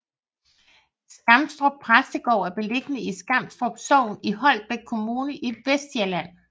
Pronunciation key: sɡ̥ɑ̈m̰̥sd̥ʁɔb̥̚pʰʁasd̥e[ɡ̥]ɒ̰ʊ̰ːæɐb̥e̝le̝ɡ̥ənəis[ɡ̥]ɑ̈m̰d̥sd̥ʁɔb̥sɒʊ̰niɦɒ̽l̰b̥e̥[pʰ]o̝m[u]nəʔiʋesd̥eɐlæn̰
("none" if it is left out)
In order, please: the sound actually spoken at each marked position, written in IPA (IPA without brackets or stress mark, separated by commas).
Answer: ɡ̥, ɡ̥, kʰ, uː